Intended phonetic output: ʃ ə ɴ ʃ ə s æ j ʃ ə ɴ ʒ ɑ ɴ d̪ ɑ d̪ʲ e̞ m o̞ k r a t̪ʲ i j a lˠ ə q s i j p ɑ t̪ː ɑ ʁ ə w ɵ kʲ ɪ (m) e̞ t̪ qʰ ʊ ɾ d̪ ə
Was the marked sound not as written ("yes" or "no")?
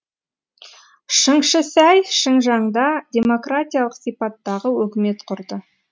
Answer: no